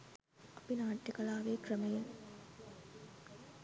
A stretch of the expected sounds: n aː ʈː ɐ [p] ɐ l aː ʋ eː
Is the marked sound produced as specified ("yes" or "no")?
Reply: no